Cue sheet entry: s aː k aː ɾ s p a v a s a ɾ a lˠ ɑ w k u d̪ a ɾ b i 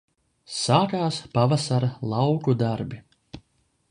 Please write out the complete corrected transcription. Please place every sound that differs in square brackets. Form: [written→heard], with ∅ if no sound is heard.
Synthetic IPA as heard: s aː k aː [ɾ→∅] s p a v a s a ɾ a lˠ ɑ w k u d̪ a ɾ b i